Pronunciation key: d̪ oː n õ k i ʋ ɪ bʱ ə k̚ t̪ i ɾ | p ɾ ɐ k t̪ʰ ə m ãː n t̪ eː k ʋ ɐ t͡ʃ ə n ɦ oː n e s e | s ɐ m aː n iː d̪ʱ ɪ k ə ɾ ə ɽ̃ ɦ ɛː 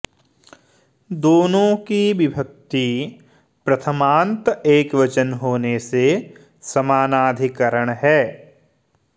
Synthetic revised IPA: d̪ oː n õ k i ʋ ɪ bʱ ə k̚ t̪ i | p ɾ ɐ t̪ʰ ə m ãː n t̪ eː k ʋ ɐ t͡ʃ ə n ɦ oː n e s e | s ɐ m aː n aː d̪ʱ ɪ k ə ɾ ə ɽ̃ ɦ ɛː